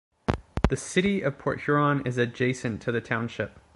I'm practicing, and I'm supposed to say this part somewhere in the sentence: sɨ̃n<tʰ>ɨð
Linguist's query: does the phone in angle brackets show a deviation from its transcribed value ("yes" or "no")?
no